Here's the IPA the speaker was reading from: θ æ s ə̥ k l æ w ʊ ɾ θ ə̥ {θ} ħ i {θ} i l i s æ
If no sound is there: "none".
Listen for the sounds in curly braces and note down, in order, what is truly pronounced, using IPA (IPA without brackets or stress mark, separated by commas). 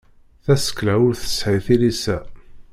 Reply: s, θ